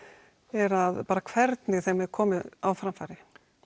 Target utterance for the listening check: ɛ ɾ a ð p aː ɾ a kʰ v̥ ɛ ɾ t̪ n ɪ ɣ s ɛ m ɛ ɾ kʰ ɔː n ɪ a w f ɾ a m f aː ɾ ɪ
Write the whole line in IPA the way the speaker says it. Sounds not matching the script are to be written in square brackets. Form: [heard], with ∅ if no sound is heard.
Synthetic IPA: ɛ ɾ a ð p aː ɾ a kʰ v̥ ɛ ɾ t̪ n ɪ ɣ [θ] ɛ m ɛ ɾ kʰ ɔː [m] ɪ a w f ɾ a m f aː ɾ ɪ